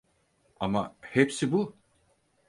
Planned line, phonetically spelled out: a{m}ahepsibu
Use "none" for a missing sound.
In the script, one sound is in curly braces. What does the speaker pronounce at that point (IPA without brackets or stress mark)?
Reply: m